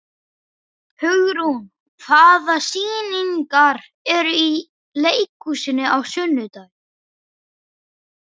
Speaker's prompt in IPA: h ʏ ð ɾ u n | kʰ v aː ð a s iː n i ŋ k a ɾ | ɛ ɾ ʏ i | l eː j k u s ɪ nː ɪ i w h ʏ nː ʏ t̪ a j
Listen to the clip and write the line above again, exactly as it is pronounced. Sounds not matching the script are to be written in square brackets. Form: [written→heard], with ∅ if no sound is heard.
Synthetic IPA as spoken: h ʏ [ð→ɣ] ɾ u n | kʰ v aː ð a s iː n i ŋ k a ɾ | ɛ ɾ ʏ i | l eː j k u s ɪ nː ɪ [i→a] w [h→s] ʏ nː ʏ t̪ a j